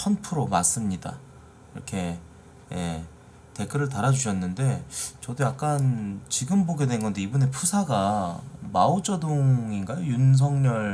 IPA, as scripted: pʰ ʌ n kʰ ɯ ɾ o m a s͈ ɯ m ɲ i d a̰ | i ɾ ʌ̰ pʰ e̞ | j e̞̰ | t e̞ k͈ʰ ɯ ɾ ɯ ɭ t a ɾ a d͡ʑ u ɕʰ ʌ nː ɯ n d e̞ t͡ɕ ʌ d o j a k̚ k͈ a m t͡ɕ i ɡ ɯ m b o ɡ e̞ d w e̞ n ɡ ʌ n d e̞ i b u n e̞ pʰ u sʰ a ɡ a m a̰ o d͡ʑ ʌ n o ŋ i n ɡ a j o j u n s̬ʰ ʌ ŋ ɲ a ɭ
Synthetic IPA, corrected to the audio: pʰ ʌ n pʰ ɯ ɾ o m a s͈ ɯ m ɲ i d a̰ | i ɾ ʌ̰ kʰ e̞ | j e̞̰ | t e̞ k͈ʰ ɯ ɾ ɯ ɭ t a ɾ a d͡ʑ u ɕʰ ʌ nː ɯ n d e̞ t͡ɕ ʌ d o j a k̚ k͈ a n t͡ɕ i ɡ ɯ m b o ɡ e̞ d w e̞ n ɡ ʌ n d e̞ i b u n e̞ pʰ u sʰ a ɡ a m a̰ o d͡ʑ ʌ d o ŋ i n ɡ a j o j u n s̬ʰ ʌ ŋ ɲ ʌ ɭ